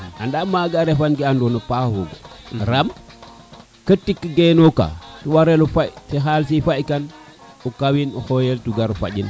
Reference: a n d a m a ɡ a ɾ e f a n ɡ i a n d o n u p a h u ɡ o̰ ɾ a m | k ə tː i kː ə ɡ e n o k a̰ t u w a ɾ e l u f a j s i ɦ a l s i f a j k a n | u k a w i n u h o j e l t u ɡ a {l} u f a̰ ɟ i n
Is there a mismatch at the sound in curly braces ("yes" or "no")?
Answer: yes